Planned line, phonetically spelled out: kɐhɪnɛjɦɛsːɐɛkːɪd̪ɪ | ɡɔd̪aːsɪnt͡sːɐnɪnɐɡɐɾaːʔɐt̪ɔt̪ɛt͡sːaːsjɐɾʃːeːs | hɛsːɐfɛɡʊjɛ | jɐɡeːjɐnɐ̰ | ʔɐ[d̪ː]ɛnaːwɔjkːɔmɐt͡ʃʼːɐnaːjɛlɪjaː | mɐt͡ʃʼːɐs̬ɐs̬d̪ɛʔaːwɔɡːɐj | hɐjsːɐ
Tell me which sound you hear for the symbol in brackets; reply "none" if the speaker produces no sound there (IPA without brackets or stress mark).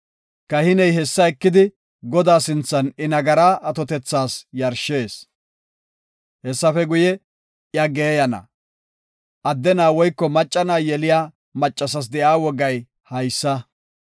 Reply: d̪ː